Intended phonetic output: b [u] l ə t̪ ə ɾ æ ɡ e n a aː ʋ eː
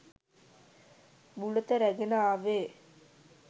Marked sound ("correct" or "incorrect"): correct